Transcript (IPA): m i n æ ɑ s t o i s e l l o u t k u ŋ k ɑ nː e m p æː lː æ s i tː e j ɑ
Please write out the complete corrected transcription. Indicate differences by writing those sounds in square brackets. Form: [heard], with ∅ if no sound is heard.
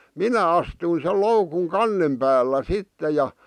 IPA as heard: m i n æ ɑ s t [u] i s e l l o u [∅] k u ŋ k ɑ nː e m p æː lː æ s i tː e j ɑ